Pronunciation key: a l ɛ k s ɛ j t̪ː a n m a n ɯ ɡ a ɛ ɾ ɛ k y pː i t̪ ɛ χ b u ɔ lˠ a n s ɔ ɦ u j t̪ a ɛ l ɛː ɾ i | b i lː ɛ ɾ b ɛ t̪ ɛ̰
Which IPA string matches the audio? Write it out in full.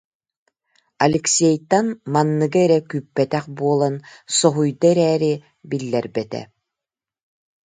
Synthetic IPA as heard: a l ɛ k s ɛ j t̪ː a n m a nː ɯ ɡ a ɛ ɾ ɛ k y pː ɛ t̪ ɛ χ b u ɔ lˠ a n s ɔ ɦ u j d̪ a ɛ ɾ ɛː ɾ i | b i lː ɛ ɾ b ɛ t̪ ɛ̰